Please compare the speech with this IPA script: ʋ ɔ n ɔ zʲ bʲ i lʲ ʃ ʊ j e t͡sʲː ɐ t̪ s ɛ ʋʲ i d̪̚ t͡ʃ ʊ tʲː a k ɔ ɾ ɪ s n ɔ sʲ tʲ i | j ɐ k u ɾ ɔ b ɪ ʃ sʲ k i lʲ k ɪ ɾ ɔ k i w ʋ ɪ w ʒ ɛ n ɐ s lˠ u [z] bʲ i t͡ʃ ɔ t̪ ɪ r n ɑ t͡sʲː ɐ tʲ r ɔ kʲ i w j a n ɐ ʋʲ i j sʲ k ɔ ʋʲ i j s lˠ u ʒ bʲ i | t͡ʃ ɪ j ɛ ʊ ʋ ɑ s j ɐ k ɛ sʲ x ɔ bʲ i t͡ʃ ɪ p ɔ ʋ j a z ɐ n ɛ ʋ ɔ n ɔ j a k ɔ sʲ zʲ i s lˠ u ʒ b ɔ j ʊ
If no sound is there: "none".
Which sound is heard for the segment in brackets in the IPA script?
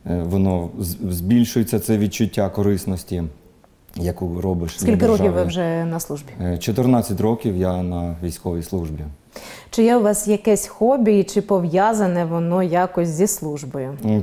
ʒ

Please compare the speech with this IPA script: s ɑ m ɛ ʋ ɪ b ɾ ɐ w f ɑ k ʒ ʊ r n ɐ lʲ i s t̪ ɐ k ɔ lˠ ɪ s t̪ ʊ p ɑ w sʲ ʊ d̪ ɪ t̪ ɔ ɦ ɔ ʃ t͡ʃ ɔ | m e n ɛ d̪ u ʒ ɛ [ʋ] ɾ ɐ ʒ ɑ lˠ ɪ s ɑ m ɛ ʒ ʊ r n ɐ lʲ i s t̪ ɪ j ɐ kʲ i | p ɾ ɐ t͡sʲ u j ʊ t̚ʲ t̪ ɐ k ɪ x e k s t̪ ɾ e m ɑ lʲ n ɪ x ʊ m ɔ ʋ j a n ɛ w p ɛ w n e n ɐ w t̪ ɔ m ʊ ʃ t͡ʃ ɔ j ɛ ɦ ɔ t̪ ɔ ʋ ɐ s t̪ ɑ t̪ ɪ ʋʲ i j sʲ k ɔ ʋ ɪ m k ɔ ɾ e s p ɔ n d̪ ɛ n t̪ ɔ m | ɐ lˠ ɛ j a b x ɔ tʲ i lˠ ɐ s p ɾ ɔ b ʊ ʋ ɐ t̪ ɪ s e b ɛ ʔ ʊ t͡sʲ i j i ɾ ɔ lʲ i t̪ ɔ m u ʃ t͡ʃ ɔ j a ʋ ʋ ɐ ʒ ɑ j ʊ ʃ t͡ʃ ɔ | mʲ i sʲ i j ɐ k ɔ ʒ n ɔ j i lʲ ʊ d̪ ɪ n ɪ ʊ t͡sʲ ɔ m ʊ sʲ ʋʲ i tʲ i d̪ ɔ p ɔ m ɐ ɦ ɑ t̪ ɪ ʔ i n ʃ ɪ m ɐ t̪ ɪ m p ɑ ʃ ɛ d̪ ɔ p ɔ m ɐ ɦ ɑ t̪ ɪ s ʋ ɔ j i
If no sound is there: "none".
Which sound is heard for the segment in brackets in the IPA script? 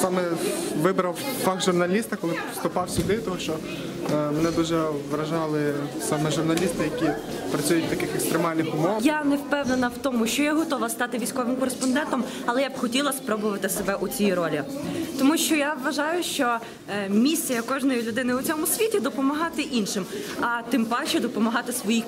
ʋ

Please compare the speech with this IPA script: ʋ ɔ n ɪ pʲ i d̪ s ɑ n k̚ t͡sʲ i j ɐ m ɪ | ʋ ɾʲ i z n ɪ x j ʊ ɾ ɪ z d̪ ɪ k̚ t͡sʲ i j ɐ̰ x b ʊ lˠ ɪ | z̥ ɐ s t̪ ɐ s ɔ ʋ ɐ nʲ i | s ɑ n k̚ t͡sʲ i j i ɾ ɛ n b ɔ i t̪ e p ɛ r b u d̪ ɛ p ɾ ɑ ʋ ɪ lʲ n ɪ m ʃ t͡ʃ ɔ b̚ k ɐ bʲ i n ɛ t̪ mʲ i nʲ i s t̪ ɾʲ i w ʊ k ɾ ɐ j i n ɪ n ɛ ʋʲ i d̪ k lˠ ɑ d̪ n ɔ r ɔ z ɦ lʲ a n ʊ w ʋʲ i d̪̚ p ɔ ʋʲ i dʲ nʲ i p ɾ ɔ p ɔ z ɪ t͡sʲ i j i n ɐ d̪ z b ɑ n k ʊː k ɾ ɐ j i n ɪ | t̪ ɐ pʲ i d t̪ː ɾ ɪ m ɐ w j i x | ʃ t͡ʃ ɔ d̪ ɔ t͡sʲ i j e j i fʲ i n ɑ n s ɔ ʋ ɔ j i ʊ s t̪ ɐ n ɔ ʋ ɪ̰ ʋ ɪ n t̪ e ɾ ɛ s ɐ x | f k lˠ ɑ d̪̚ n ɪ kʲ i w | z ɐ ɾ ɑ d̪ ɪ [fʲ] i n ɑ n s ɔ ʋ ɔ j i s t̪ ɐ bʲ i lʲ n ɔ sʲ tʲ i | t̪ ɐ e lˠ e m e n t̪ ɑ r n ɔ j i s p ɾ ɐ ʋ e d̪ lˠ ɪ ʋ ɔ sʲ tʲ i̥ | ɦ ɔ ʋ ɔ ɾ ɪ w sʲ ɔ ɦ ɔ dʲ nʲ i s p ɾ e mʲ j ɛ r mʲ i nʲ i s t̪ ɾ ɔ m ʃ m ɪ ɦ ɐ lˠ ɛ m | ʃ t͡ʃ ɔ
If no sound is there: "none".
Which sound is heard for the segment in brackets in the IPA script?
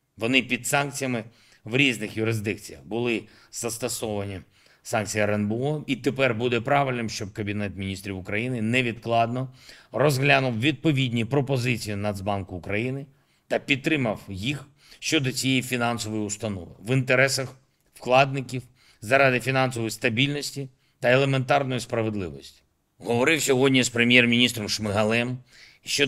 fʲ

